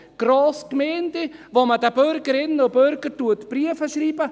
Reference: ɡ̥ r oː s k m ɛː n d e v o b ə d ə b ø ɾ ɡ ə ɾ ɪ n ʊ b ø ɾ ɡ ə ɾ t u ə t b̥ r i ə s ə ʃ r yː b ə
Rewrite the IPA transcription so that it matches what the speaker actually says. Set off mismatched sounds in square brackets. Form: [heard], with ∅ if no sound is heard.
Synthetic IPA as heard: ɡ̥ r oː s k m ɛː n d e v o [m] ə d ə b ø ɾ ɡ ə ɾ ɪ n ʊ b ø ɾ ɡ ə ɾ t u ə t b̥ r i ə [f] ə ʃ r [iː] b ə